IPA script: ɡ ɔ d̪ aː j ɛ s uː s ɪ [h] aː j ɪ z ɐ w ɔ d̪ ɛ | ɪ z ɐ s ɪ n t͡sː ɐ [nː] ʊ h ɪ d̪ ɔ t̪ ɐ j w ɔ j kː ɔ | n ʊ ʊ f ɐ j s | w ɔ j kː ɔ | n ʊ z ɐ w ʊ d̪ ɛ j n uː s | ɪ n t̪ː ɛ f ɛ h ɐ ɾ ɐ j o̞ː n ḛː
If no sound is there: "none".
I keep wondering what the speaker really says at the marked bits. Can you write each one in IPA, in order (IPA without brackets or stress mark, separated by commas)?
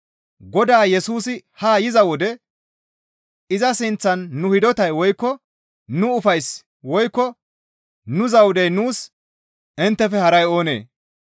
h, nː